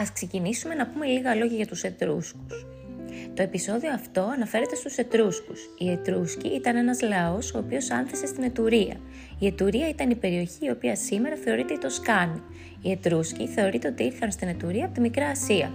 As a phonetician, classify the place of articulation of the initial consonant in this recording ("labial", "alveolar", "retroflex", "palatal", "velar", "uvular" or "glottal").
alveolar